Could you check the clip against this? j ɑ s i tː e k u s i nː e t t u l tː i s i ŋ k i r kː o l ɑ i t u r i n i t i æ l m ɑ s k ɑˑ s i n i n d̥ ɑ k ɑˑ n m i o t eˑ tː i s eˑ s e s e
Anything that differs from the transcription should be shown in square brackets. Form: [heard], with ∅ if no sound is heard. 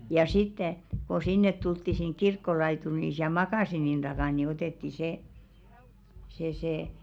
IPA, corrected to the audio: j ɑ s i tː e k [o] s i nː e t t u l tː i s i ŋ k i r kː o l ɑ i t u r i n i [s] i æ l m ɑ [∅] k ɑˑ s i n i n d̥ ɑ k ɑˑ n [n] i o t eˑ tː i s eˑ s e s e